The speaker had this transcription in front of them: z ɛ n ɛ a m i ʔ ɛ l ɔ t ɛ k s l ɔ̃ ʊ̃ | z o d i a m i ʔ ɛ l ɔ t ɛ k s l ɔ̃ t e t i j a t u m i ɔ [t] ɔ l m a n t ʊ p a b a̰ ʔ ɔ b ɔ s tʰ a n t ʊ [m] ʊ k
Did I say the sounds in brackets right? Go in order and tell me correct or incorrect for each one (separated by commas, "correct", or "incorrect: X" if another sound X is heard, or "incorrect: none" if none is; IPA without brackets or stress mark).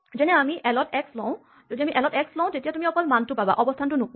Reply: incorrect: k, incorrect: n